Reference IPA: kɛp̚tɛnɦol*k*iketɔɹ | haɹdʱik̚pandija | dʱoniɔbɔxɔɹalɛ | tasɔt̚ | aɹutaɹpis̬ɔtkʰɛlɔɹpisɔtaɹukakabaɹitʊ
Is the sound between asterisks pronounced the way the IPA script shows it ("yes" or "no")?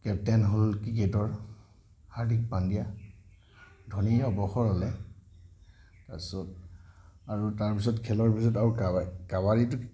yes